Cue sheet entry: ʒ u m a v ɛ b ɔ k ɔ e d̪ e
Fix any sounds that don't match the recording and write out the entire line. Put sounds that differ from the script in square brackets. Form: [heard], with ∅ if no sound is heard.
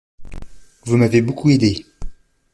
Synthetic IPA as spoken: [v] u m a v [e] b [o] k [u] e d̪ e